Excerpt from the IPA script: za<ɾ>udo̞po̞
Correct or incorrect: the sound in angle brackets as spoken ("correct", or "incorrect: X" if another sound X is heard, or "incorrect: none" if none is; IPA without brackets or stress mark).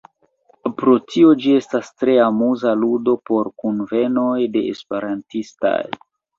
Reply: incorrect: l